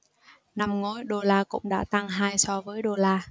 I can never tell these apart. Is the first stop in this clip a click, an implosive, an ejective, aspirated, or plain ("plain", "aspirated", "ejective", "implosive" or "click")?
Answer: implosive